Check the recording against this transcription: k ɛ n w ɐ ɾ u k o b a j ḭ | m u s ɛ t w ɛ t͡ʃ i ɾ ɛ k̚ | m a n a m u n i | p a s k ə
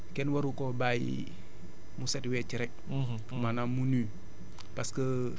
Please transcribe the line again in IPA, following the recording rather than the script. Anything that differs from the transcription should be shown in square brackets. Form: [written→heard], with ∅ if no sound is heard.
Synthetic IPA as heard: k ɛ n w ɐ ɾ u k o b a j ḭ | m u s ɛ t w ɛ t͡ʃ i ɾ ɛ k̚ | m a n a m u n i | p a s k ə